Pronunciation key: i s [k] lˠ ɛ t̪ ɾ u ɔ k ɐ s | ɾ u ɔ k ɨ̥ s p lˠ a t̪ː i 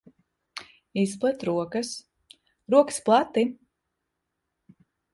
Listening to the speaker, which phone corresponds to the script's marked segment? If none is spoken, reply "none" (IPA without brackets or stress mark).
p